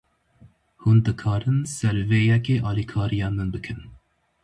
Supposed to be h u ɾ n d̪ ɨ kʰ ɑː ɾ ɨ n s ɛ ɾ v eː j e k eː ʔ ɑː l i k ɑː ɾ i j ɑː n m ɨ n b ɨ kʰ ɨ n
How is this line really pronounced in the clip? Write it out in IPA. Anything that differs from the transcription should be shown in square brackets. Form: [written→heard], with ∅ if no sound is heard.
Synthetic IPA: h u [ɾ→∅] n d̪ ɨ kʰ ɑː ɾ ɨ n s ɛ ɾ v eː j [e→ɛ] k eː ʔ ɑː l i [k→kʰ] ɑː ɾ i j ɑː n m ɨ n b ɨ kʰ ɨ n

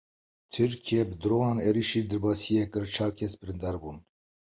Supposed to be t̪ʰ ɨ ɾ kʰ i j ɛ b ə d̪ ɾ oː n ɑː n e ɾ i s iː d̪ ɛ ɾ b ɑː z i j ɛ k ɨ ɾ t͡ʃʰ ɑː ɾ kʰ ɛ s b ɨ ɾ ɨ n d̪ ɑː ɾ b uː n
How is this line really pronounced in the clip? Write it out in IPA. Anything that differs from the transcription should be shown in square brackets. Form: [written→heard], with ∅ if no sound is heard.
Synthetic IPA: t̪ʰ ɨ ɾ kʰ i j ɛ b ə d̪ ɾ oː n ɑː n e ɾ i [s→ʃ] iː d̪ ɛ ɾ b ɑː [z→s] i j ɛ k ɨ ɾ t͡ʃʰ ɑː ɾ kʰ ɛ s b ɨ ɾ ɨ n d̪ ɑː ɾ b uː n

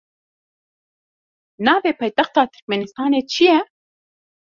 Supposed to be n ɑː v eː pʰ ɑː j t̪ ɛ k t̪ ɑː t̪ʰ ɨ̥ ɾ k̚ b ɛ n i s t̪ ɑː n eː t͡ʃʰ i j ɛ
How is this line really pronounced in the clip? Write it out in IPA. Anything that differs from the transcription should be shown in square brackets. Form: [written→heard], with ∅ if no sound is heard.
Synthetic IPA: n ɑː v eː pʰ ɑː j t̪ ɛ [k→x] t̪ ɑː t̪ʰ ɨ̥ ɾ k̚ [b→m] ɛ n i s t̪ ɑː n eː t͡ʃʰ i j ɛ

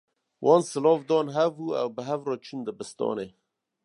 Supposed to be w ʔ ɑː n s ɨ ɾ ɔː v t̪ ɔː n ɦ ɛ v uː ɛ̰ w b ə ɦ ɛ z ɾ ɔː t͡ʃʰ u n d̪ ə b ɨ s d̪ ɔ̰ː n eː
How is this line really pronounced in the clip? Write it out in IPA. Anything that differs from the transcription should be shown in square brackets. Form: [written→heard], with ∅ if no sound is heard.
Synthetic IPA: w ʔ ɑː n s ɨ [ɾ→l] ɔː v [t̪→d̪] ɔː n ɦ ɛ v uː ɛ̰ w b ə ɦ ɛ [z→v] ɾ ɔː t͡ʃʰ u n d̪ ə b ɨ s [d̪→t̪] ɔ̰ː n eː

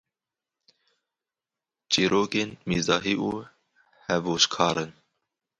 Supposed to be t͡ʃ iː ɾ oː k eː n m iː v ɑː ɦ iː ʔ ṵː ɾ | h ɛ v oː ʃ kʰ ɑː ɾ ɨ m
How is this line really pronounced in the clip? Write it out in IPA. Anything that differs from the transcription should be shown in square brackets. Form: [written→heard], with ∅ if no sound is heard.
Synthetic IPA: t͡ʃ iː ɾ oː k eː n m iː [v→z] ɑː ɦ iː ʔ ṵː [ɾ→∅] | h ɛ v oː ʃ kʰ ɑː ɾ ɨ [m→n]

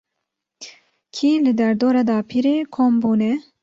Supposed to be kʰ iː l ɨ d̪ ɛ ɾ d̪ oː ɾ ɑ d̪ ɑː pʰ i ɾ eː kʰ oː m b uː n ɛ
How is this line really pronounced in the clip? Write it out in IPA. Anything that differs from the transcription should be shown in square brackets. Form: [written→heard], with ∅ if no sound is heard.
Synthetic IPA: kʰ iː l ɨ d̪ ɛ ɾ d̪ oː ɾ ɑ d̪ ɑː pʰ i ɾ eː kʰ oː m b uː n ɛ

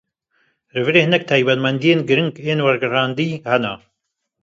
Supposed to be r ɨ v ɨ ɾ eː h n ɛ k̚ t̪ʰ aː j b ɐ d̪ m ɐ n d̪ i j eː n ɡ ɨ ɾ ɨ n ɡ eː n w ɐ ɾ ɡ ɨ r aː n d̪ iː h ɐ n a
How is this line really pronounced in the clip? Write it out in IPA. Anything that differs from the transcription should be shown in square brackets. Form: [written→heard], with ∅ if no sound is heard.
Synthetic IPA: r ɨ v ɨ ɾ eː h n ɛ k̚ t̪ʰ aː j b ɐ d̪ m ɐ n d̪ i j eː n ɡ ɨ ɾ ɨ [n→ŋ] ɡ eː n w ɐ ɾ ɡ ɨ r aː n d̪ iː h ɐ n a

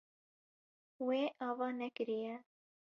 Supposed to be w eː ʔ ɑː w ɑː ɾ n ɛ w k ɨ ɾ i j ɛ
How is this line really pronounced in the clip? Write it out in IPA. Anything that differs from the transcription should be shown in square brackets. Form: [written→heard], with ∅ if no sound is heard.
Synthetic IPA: w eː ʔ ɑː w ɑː [ɾ→∅] n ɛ [w→∅] k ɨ ɾ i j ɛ

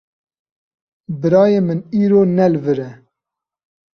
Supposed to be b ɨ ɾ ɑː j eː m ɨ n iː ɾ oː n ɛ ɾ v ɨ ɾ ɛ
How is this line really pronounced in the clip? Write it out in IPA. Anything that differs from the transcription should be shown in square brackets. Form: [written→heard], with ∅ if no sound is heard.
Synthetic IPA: b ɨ ɾ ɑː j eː m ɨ n iː ɾ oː n ɛ [ɾ→l] v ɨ ɾ ɛ

